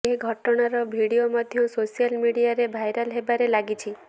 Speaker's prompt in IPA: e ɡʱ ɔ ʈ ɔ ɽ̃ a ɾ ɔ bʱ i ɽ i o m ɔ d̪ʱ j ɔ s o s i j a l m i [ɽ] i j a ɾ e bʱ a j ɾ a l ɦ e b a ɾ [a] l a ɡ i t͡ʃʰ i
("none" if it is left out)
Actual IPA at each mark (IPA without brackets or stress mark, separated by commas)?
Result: ɽ, e